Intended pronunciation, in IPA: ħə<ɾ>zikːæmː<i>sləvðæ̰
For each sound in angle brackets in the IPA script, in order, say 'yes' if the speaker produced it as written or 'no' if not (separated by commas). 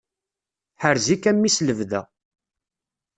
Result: yes, yes